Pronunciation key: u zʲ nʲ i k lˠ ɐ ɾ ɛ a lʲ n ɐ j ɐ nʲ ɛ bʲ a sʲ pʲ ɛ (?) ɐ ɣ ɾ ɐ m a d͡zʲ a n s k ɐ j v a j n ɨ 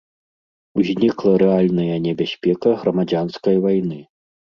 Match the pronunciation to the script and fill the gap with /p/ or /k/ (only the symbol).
k